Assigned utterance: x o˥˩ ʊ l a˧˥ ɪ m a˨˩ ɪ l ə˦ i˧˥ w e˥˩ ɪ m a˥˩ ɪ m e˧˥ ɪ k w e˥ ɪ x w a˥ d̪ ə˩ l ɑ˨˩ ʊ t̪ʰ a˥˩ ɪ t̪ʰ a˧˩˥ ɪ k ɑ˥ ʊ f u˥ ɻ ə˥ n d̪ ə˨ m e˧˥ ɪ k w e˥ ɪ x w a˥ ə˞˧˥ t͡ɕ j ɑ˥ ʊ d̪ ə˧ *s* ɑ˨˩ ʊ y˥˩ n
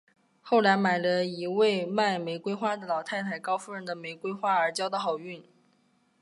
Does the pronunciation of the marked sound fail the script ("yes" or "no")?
yes